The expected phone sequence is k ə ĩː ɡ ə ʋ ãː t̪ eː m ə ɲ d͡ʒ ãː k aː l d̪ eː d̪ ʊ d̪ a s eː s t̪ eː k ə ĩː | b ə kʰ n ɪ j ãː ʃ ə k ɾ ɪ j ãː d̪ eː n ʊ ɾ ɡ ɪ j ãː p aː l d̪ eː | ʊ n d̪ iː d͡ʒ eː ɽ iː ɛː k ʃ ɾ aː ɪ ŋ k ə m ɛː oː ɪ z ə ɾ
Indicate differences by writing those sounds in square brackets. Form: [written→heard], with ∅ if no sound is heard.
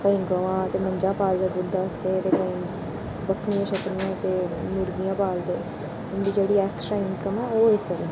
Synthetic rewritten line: k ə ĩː ɡ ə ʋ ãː t̪ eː m ə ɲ d͡ʒ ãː [k→p] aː l d̪ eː d̪ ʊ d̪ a s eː [s→∅] t̪ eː k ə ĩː | b ə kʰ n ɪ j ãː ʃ ə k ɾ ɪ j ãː [d̪→t̪] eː n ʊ ɾ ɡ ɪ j ãː p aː l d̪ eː | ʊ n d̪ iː d͡ʒ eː ɽ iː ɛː k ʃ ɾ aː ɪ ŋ k ə m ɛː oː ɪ [z→s] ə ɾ